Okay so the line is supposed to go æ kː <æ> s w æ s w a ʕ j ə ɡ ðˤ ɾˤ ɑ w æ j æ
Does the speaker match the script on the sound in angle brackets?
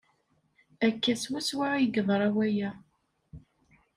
yes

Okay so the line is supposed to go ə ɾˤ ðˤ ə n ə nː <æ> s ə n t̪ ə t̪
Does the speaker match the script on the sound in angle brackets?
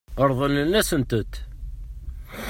yes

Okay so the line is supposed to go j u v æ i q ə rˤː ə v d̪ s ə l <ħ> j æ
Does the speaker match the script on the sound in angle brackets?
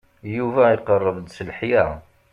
yes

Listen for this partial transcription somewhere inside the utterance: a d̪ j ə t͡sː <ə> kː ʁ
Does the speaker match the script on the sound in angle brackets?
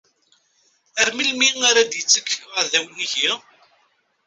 yes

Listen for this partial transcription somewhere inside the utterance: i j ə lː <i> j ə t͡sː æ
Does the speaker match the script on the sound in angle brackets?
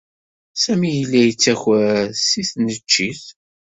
no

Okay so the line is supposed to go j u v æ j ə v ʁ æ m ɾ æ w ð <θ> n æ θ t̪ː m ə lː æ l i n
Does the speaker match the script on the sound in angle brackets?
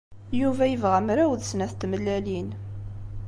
no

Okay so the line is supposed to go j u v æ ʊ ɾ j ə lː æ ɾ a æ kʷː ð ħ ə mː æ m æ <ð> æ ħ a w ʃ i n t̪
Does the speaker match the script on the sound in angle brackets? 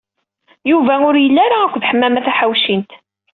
no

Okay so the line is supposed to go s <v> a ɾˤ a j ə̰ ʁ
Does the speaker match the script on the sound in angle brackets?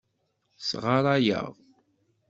no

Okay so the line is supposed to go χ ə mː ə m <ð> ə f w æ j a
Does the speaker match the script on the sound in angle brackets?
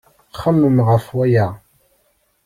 no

